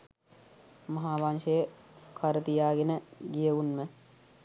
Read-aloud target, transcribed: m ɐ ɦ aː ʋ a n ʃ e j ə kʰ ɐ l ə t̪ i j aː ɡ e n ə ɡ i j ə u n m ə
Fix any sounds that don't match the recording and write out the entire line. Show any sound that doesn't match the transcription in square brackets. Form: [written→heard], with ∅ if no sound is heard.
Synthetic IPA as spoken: m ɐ ɦ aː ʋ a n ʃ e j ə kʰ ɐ [l→ɾ] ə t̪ i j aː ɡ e n ə ɡ i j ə u n m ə